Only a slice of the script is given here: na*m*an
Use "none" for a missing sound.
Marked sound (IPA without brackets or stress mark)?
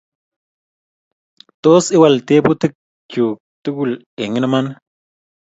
m